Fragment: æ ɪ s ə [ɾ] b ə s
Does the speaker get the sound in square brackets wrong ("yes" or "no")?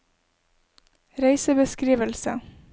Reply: yes